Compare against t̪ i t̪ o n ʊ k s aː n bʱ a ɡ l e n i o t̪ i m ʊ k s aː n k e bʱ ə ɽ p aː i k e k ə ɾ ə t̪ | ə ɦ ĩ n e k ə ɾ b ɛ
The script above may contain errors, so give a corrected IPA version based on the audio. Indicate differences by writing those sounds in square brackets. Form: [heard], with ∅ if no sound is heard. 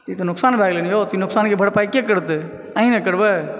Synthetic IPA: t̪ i t̪ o n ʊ k s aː n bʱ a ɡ l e n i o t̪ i [n] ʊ k s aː n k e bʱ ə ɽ p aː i k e k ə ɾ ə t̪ | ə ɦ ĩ n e k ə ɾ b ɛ